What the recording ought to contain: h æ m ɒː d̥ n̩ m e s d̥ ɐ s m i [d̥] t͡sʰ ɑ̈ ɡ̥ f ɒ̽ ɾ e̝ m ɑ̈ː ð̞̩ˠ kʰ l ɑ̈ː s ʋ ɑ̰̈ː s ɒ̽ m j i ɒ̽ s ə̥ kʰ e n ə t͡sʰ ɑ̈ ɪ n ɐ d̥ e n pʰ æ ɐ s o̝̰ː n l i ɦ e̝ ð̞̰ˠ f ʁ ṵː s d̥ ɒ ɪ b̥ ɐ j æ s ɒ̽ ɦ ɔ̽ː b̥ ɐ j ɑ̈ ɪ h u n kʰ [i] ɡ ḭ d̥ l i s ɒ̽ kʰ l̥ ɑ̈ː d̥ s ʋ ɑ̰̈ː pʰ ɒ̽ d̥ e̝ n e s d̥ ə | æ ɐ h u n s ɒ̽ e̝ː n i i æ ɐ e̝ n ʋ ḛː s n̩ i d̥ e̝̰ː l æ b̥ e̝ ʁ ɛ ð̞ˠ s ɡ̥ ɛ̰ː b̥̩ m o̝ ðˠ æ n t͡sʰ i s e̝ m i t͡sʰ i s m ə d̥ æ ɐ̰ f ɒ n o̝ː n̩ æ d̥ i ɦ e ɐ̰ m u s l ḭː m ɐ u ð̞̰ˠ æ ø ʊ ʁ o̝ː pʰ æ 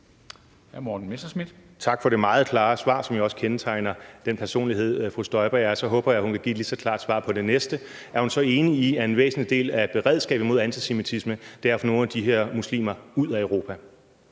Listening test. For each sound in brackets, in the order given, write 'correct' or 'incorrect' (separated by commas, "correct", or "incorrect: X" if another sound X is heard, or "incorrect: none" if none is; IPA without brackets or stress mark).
correct, incorrect: æ